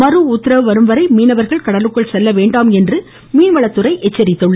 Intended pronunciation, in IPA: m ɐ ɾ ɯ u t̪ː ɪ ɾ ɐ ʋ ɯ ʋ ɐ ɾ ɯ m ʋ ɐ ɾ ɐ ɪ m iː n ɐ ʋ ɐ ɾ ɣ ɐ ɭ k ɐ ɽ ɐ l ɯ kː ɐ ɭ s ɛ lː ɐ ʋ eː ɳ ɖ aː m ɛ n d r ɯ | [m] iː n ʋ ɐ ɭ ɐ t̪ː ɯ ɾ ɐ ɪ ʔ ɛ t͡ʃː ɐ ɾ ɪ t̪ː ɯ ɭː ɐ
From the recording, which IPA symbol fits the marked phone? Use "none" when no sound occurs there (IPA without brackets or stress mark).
m